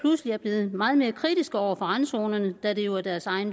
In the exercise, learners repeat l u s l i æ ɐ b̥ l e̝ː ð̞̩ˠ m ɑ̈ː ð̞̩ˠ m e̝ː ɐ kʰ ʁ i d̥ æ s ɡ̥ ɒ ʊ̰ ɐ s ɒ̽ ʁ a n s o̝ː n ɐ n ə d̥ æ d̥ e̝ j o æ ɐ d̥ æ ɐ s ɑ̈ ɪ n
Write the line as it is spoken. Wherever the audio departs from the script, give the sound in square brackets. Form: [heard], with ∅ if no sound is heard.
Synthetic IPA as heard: l u s l i æ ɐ b̥ l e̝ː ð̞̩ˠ m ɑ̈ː ð̞̩ˠ m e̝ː ɐ kʰ ʁ i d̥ [i] s ɡ̥ ɒ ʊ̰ ɐ [f] ɒ̽ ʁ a n s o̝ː n ɐ n ə d̥ æ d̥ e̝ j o æ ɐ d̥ æ ɐ s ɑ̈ ɪ n